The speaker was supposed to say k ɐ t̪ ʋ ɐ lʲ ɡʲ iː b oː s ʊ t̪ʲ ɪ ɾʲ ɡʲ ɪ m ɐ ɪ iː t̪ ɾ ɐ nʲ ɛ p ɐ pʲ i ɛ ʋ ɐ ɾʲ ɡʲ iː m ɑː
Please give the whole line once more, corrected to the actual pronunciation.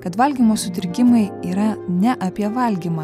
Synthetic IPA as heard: k ɐ t̪ ʋ ɐ lʲ ɡʲ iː m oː s ʊ t̪ʲ ɪ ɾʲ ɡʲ ɪ m ɐ ɪ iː ɾ ɐ nʲ ɛ ʔ ɐ pʲ i ɛ ʋ ɐ lʲ ɡʲ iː m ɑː

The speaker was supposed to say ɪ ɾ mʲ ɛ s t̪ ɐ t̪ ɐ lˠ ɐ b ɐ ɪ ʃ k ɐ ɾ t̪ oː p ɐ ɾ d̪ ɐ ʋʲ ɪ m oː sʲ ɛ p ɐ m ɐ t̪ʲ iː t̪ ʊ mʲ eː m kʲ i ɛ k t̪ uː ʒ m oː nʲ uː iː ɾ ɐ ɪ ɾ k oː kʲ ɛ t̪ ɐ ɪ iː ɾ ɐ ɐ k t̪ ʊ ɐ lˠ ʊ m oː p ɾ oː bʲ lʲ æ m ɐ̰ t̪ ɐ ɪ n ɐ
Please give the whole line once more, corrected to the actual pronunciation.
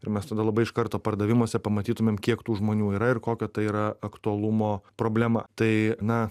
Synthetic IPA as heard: ɪ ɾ mʲ ɛ s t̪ ɐ d̪ ɐ lˠ ɐ b ɐ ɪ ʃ k ɐ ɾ t̪ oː p ɐ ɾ d̪ ɐ ʋʲ ɪ m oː sʲ ɛ p ɐ m ɐ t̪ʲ iː t̪ ʊ mʲ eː m kʲ i ɛ k t̪ uː ʒ m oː nʲ uː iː ɾ ɐ ɪ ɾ k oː kʲ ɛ t̪ ɐ ɪ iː ɾ ɐ ɐ k t̪ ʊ ɐ lˠ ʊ m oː p ɾ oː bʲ lʲ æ m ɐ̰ t̪ ɐ ɪ n ɐ

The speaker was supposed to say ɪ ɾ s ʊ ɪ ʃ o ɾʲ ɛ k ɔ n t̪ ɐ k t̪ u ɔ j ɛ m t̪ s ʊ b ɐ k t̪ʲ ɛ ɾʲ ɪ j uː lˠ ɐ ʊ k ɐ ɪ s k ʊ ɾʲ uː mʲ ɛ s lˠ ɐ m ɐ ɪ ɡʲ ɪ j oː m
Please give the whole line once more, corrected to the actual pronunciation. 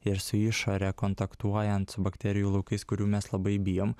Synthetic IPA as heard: ɪ ɾ s ʊ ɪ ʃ o ɾʲ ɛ k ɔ n t̪ ɐ k t̪ u ɔ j ɛ n t̪ s ʊ b ɐ k t̪ʲ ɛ ɾʲ ɪ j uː lˠ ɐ ʊ k ɐ ɪ s k ʊ ɾʲ uː mʲ ɛ s lˠ ɐ b ɐ ɪ bʲ ɪ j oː m

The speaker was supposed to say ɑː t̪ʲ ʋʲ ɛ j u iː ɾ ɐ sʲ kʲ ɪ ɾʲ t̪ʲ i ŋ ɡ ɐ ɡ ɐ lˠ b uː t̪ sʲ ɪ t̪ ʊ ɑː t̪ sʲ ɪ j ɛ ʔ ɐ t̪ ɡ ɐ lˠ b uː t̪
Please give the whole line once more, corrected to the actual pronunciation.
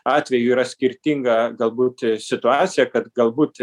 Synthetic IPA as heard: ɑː t̪ʲ ʋʲ ɛ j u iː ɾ ɐ sʲ kʲ ɪ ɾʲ t̪ʲ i ŋ ɡ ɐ ɡ ɐ lˠ b uː t̪ sʲ ɪ t̪ ʊ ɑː t̪ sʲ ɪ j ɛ k ɐ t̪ ɡ ɐ lˠ b uː t̪

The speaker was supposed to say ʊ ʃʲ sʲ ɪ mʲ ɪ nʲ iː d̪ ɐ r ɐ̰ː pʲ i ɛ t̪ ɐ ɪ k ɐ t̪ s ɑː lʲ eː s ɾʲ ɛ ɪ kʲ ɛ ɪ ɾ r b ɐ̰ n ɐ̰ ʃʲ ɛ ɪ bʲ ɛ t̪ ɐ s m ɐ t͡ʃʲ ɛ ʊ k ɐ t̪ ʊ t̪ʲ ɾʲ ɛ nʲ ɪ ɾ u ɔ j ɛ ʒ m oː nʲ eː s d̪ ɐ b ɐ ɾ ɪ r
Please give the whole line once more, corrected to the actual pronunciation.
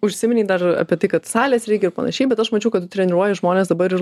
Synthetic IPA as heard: ʊ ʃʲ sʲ ɪ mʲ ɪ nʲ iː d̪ ɐ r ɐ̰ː pʲ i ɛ t̪ ɐ ɪ k ɐ t̪ s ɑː lʲ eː s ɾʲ ɛ ɪ kʲ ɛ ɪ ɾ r p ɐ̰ n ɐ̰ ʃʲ ɛ ɪ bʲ ɛ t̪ ɐ ʃ m ɐ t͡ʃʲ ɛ ʊ k ɐ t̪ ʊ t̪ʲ ɾʲ ɛ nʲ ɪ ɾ u ɔ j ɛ ʒ m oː nʲ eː s d̪ ɐ b ɐ ɾ ɪ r

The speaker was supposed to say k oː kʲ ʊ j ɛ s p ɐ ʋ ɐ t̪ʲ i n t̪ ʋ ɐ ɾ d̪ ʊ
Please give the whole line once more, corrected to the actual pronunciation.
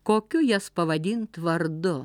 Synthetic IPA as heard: k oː kʲ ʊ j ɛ s p ɐ ʋ ɐ d̪ʲ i n t̪ ʋ ɐ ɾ d̪ ʊ

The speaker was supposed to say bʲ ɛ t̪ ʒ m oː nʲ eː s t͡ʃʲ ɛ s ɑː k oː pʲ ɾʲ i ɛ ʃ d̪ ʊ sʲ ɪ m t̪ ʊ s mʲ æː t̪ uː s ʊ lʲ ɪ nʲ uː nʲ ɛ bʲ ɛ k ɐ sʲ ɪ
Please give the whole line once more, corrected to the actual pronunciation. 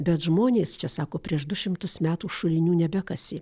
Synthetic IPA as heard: bʲ ɛ t̪ ʒ m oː nʲ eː s t͡ʃʲ ɛ s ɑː k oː pʲ ɾʲ i ɛ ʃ d̪ ʊ ʃʲ ɪ m t̪ ʊ s mʲ æː t̪ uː ʃ ʊ lʲ ɪ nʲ uː nʲ ɛ bʲ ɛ k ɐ sʲ ɪ

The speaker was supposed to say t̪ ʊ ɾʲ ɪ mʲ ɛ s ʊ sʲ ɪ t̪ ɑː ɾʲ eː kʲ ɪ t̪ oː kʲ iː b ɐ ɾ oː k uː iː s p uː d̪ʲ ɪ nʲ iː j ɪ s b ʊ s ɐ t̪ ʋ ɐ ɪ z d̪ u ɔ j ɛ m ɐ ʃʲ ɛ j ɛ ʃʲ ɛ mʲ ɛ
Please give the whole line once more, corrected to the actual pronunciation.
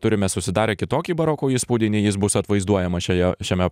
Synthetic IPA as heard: t̪ ʊ ɾʲ ɪ mʲ ɛ s ʊ sʲ ɪ d̪ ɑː ɾʲ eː kʲ ɪ t̪ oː kʲ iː b ɐ ɾ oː k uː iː s p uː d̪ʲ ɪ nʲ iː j ɪ s b ʊ s ɐ t̪ ʋ ɐ ɪ z d̪ u ɔ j ɛ m ɐ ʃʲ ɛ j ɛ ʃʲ ɛ mʲ ɛ

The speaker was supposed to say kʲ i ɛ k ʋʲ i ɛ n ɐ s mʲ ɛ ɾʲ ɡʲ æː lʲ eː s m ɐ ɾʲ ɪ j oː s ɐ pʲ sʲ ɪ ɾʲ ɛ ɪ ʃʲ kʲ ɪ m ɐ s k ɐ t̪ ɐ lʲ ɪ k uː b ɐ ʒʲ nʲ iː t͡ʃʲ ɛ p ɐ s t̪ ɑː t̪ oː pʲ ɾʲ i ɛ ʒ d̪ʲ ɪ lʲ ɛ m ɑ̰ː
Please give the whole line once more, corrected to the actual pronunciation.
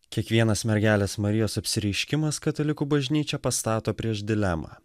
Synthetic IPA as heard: kʲ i ɛ k ʋʲ i ɛ n ɐ s mʲ ɛ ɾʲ ɡʲ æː lʲ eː s m ɐ ɾʲ ɪ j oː s ɐ pʲ sʲ ɪ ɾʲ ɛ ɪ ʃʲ kʲ ɪ m ɐ s k ɐ t̪ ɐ lʲ ɪ k uː b ɐ ʒʲ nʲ iː t͡ʃʲ ɛ p ɐ s t̪ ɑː t̪ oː pʲ ɾʲ i ɛ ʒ d̪ʲ ɪ lʲ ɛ m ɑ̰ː

